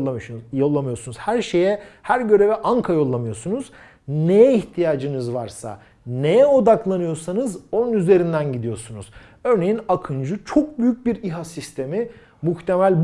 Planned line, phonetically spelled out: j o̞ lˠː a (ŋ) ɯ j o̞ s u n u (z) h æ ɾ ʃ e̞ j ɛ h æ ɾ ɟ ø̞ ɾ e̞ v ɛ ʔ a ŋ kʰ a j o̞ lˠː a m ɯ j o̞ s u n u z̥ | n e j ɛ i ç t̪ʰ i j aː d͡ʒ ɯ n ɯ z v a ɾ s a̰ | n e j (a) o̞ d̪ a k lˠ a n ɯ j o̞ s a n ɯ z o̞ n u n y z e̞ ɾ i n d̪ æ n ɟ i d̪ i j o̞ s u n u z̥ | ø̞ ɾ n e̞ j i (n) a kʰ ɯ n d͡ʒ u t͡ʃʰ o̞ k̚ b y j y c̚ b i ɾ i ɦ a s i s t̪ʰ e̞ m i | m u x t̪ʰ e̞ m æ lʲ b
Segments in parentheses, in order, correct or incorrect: incorrect: m, correct, incorrect: ɛ, correct

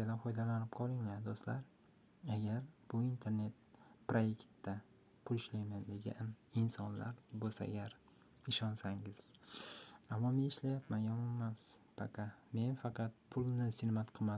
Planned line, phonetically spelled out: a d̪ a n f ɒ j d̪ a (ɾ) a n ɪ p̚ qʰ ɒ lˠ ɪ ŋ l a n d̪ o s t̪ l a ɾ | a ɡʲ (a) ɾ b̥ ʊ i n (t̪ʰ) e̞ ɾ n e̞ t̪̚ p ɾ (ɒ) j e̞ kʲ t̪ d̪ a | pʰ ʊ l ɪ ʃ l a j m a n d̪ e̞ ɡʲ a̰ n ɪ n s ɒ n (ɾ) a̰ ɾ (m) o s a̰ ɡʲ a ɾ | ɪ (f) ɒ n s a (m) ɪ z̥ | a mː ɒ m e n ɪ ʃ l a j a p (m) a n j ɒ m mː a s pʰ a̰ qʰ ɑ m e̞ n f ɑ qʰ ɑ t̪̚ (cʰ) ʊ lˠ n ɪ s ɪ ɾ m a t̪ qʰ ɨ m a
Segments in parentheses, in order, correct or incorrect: incorrect: l, correct, correct, incorrect: o, incorrect: l, incorrect: b, incorrect: ʃ, incorrect: ŋ, correct, incorrect: pʰ

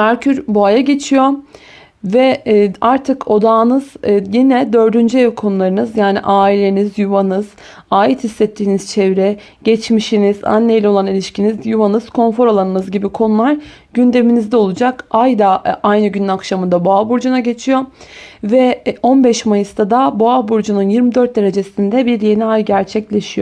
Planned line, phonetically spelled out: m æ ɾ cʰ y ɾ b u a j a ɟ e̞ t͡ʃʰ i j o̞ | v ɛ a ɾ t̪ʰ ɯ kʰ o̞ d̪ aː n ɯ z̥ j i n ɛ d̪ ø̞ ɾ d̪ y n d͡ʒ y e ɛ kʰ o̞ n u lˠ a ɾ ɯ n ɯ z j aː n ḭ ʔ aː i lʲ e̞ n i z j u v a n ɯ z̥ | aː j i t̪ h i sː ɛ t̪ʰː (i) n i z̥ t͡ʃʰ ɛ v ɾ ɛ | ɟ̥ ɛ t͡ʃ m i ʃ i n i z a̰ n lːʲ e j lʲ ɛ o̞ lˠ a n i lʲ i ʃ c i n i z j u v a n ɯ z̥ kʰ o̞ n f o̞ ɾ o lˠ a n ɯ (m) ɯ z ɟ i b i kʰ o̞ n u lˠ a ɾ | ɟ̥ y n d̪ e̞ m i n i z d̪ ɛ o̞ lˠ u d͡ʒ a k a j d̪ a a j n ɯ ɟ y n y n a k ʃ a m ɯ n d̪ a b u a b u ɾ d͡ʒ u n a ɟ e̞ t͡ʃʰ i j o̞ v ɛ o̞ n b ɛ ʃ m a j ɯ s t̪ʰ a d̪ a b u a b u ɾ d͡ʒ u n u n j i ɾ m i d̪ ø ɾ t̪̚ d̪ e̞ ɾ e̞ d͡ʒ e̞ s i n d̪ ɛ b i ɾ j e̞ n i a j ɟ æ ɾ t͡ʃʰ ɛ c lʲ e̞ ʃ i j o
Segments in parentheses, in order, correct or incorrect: incorrect: iː, incorrect: n

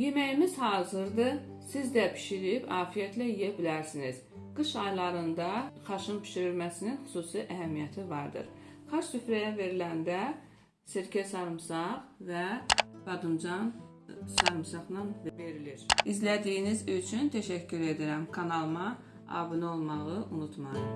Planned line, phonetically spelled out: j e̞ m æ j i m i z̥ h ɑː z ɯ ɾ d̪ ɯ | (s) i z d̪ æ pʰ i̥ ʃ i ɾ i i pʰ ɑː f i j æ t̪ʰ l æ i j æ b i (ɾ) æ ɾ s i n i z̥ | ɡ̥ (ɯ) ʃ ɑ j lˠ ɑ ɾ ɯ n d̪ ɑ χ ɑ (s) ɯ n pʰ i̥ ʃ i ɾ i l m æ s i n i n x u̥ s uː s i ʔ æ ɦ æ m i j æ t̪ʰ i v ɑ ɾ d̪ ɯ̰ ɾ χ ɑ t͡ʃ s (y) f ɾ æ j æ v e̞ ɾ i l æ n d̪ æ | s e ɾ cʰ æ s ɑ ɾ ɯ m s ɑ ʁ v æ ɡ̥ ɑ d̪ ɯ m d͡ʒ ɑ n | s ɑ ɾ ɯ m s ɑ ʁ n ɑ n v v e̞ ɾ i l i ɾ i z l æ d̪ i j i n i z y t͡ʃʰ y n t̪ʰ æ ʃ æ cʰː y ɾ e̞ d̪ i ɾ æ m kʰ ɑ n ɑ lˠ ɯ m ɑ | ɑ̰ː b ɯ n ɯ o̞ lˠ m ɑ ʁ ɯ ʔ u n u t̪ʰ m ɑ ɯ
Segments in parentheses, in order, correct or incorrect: correct, incorrect: l, correct, incorrect: ʃ, correct

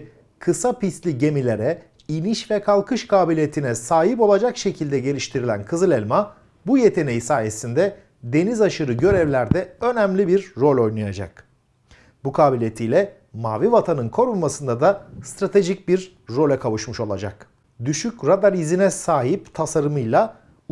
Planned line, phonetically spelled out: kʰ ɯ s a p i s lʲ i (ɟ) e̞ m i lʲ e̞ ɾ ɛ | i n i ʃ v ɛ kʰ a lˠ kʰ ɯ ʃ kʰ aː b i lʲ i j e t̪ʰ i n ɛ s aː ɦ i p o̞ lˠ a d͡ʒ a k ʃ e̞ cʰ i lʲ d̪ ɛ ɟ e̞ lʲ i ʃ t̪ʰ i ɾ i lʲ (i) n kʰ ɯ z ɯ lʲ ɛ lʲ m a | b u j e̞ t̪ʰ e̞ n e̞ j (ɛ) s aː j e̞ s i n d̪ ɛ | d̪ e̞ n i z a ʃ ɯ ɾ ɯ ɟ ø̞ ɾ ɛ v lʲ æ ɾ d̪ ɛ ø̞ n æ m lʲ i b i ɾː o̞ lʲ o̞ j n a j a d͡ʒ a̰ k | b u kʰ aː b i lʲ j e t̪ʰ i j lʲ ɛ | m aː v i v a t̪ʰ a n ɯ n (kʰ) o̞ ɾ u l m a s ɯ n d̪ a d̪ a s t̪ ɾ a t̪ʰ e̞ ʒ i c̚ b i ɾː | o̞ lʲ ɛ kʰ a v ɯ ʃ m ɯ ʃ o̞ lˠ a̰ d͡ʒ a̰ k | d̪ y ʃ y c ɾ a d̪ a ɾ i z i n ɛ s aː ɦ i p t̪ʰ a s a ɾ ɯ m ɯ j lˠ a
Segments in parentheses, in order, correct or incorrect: correct, incorrect: æ, incorrect: i, correct

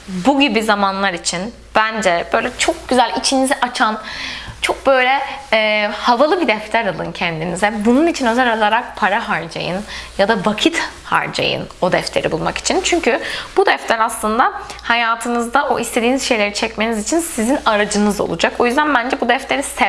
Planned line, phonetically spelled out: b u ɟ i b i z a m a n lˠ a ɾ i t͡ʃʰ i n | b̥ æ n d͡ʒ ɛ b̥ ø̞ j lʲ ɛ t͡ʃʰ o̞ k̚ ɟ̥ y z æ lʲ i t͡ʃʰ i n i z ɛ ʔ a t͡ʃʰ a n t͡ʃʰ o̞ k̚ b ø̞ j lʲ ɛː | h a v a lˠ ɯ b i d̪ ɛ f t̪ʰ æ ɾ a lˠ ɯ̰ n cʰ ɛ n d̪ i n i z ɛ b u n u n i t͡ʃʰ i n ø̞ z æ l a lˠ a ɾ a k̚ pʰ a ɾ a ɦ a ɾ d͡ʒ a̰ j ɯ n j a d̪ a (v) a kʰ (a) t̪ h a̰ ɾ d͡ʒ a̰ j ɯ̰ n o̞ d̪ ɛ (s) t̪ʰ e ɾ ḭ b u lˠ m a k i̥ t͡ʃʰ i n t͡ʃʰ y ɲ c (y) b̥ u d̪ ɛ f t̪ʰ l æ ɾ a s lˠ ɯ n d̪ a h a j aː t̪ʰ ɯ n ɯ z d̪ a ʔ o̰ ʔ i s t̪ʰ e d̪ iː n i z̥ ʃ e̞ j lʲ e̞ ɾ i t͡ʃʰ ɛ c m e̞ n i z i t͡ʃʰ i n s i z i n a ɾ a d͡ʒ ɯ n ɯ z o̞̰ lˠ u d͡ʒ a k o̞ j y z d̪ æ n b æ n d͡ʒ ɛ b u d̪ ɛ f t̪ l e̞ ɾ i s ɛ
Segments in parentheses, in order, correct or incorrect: correct, incorrect: i, incorrect: f, correct

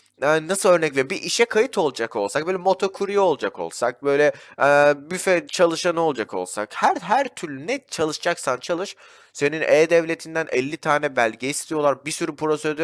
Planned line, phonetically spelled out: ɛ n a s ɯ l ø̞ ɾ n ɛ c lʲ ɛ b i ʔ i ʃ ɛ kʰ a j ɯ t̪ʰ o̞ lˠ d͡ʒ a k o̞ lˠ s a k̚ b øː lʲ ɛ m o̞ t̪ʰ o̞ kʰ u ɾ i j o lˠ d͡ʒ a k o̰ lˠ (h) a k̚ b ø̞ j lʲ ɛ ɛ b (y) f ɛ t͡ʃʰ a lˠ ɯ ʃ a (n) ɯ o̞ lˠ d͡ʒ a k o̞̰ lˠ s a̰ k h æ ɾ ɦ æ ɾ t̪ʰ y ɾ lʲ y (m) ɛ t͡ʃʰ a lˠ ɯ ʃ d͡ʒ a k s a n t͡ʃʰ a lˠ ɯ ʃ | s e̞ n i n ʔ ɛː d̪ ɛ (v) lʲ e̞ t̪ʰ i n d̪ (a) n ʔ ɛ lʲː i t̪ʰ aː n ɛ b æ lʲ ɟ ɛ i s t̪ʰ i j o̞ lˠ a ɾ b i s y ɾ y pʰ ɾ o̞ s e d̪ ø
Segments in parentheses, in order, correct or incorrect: incorrect: s, correct, correct, incorrect: n, correct, incorrect: æ

